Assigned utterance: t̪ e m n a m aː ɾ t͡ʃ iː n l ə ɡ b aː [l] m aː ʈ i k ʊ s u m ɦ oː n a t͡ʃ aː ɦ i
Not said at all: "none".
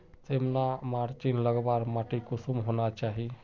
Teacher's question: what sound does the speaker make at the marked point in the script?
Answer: ɾ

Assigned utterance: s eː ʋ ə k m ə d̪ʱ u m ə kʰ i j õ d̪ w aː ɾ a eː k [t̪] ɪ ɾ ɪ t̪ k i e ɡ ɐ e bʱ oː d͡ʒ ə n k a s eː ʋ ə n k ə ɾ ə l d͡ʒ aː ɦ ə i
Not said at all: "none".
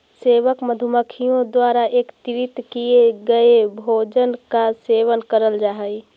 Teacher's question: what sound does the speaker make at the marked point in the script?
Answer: t̪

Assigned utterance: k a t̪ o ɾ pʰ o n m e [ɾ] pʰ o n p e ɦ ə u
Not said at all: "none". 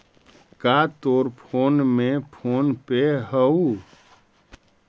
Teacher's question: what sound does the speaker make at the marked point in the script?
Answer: none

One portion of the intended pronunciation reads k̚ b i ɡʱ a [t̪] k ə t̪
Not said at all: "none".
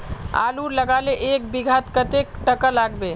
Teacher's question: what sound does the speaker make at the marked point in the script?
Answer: t̪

